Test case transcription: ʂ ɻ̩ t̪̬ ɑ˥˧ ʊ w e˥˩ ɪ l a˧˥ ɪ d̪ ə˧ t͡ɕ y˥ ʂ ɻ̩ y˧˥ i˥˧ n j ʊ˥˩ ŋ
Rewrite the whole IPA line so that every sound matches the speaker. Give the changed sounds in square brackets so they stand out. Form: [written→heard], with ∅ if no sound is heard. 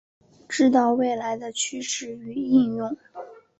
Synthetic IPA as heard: [ʂ→ʈ͡ʂ] ɻ̩ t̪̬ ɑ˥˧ ʊ w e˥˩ ɪ l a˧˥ ɪ d̪ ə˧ [t͡ɕ→t͡ɕʰ] y˥ ʂ ɻ̩ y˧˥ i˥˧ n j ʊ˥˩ ŋ